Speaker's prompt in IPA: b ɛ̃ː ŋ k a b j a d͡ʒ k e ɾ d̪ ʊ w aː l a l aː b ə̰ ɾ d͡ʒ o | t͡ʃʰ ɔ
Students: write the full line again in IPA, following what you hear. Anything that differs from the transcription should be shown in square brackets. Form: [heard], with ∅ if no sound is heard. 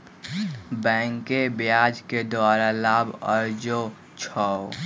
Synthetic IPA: b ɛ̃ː ŋ k [e] b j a d͡ʒ k e [∅] d̪ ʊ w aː [ɾ] a l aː b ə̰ ɾ d͡ʒ o | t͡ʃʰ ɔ